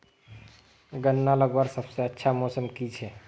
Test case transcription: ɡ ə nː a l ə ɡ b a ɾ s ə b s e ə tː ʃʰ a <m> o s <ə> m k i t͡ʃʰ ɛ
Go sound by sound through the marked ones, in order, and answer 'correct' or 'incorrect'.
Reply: correct, correct

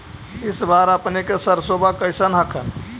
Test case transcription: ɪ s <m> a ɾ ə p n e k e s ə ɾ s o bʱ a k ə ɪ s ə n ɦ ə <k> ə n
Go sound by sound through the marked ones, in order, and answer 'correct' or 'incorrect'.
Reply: incorrect, incorrect

